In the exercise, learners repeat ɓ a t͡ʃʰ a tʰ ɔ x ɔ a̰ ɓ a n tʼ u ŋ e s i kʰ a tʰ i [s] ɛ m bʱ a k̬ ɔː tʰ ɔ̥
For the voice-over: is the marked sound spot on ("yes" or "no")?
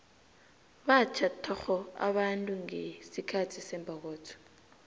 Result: yes